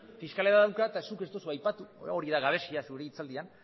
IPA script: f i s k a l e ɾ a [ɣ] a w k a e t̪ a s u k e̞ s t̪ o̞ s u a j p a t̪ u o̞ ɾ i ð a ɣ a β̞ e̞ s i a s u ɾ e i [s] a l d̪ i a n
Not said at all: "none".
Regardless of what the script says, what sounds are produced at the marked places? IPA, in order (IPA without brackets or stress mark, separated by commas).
ð, t͡s